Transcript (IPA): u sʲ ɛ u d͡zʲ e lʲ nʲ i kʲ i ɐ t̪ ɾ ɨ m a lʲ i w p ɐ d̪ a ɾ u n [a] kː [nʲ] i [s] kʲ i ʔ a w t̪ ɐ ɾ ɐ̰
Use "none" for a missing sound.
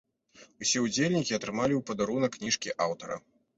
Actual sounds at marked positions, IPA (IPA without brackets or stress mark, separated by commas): ɐ, nʲ, ʂ